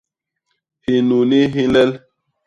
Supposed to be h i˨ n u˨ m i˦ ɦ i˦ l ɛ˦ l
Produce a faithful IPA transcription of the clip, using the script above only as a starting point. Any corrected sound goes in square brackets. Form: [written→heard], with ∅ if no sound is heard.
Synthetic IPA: h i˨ n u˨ [m→n] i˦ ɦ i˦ l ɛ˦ l